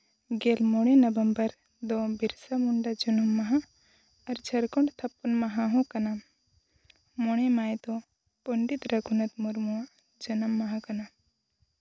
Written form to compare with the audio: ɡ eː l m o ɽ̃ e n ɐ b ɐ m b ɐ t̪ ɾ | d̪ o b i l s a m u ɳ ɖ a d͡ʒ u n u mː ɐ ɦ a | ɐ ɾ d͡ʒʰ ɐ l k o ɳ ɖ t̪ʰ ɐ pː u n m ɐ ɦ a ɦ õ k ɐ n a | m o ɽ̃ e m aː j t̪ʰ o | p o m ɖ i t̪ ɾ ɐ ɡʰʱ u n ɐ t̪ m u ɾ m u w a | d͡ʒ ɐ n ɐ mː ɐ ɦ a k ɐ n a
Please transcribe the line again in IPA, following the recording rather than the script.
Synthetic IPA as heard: ɡ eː l m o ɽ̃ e n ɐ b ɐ m b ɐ ɾ | d̪ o b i ɾ s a m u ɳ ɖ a d͡ʒ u n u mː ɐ ɦ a | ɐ ɾ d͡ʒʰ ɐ ɾ k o ɳ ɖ t̪ʰ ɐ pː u n m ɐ ɦ a ɦ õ k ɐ n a | m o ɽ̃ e m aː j t̪ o | p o ɳ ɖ i t̪ ɾ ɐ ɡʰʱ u n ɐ t̪ m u ɾ m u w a | d͡ʒ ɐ n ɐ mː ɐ ɦ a k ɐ n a